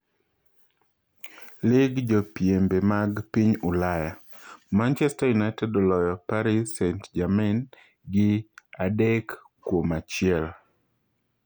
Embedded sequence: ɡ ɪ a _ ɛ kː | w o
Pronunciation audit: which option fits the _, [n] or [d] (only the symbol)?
d